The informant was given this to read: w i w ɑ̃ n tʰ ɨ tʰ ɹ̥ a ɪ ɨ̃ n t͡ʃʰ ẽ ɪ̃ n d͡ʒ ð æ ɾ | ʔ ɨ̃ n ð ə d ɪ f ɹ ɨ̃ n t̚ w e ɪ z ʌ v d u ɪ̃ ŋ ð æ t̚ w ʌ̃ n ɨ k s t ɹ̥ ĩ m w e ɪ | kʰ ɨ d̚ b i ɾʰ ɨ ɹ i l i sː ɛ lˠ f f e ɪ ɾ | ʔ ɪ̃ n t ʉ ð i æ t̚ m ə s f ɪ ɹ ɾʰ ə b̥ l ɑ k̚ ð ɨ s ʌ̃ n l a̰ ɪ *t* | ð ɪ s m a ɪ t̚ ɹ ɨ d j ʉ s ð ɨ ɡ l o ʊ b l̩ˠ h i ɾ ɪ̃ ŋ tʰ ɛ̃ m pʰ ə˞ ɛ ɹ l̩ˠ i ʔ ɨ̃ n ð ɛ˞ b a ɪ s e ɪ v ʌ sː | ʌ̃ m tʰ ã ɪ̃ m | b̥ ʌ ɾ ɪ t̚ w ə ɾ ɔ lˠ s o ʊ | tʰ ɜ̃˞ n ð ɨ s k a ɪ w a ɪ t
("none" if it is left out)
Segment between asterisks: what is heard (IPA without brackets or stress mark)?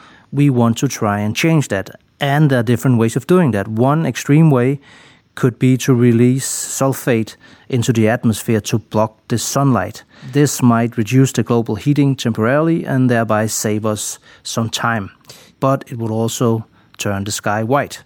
t